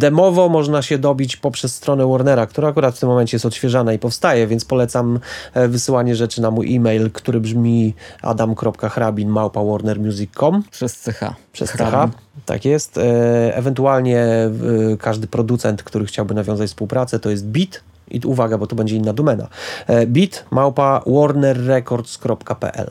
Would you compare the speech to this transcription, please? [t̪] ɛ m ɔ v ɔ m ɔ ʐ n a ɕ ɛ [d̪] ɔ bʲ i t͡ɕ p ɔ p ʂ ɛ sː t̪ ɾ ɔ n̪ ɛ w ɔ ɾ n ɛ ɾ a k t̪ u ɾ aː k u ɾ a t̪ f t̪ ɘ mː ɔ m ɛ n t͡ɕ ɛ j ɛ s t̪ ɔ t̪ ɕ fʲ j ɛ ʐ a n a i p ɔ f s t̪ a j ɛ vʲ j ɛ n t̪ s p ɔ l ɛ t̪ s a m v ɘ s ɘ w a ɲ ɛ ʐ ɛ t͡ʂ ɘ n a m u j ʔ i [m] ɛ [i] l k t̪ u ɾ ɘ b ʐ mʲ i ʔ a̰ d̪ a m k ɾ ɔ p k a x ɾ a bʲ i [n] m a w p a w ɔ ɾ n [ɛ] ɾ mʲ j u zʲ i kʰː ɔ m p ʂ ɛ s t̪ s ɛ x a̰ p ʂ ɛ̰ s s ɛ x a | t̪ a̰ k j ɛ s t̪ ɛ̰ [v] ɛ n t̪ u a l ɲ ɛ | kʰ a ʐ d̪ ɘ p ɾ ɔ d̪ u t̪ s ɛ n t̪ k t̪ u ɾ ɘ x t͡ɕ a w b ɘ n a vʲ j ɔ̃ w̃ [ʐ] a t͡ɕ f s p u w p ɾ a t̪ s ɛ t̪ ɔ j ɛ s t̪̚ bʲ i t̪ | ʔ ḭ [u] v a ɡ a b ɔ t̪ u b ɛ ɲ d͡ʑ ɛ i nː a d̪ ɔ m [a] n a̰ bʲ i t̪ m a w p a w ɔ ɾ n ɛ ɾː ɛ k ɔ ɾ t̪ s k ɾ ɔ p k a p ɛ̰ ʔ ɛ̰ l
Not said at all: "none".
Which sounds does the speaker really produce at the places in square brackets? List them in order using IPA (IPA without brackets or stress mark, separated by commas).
d̪, d̪, m, j, n, ɛ, v, z, u, ɛ